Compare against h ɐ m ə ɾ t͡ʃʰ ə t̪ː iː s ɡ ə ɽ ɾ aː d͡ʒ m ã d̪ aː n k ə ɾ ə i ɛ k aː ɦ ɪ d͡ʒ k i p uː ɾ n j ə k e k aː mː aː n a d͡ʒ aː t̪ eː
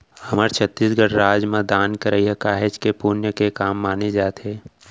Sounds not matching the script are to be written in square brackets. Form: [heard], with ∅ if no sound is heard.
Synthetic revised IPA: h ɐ m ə ɾ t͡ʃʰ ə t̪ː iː s ɡ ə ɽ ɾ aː d͡ʒ m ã d̪ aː n k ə ɾ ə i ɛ k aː ɦ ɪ d͡ʒ k [e] p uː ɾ n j ə k e k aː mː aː n [e] d͡ʒ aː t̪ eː